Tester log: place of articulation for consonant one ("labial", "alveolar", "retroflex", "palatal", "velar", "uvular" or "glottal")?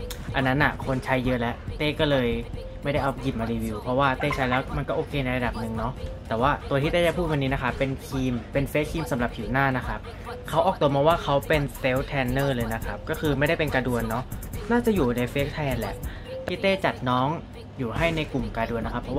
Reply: glottal